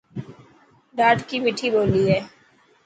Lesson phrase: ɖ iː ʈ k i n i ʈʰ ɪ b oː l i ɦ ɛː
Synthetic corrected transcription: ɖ aː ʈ k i m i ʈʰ i b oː l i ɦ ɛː

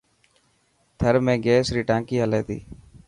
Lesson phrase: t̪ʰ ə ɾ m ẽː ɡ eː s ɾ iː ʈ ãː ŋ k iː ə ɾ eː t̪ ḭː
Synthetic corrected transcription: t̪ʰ ə ɾ m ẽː ɡ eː s ɾ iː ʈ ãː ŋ k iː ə l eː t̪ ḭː

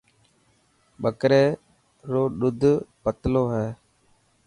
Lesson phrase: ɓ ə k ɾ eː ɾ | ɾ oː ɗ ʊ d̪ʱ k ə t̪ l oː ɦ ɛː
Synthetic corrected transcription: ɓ ə k ɾ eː | ɾ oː ɗ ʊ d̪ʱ p ə t̪ l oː ɦ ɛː

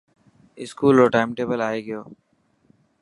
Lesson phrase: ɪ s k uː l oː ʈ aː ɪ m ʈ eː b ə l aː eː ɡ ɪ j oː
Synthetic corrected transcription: ɪ s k uː l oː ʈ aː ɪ m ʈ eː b ə l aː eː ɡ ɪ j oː

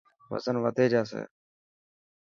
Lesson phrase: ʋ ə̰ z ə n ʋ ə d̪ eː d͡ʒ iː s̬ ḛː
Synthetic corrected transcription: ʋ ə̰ z ə n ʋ ə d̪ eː d͡ʒ aː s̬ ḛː

